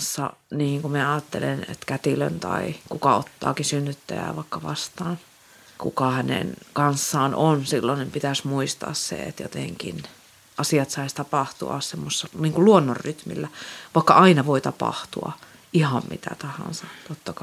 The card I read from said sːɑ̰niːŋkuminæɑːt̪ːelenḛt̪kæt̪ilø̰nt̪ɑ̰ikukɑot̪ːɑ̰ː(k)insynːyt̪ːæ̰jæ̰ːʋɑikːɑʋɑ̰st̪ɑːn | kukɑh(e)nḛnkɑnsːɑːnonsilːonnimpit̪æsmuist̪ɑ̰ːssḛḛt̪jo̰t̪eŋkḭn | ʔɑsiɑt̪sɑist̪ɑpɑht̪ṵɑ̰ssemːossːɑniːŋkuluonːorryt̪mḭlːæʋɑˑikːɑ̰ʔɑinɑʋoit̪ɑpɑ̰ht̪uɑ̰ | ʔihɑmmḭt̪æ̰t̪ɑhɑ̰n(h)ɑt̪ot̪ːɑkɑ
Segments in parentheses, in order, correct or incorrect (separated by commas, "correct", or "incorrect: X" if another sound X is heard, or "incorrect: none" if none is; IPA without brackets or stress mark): correct, incorrect: æ, incorrect: s